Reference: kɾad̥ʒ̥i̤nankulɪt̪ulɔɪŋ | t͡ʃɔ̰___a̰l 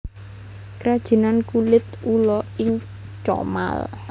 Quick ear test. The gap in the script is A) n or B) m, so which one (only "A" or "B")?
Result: B